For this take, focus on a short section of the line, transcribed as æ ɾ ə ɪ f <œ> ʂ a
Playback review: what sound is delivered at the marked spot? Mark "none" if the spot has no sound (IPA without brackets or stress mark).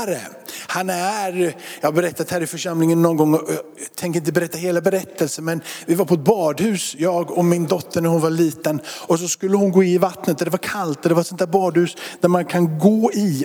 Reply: œ